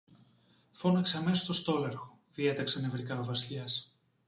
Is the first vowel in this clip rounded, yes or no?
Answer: yes